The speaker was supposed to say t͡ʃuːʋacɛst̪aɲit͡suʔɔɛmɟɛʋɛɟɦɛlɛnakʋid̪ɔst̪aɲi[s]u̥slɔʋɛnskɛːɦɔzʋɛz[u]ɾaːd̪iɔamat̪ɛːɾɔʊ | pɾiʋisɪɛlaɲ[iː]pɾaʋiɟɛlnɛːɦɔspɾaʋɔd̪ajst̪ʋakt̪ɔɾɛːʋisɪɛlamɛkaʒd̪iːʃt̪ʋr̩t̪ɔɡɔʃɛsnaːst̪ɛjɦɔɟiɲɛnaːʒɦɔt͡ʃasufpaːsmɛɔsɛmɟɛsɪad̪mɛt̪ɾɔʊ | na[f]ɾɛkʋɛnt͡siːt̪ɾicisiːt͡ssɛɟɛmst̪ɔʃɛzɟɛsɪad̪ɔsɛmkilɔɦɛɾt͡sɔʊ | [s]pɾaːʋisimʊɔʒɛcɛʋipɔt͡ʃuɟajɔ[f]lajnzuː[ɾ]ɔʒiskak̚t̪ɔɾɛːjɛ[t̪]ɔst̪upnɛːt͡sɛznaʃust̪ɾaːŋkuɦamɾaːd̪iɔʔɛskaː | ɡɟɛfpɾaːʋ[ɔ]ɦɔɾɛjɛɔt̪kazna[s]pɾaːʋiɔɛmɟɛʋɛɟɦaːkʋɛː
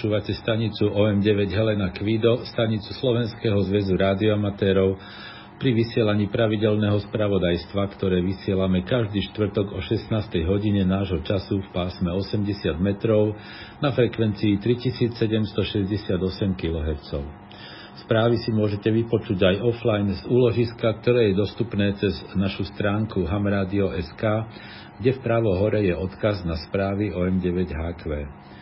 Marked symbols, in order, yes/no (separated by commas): no, yes, yes, yes, yes, yes, no, no, yes, yes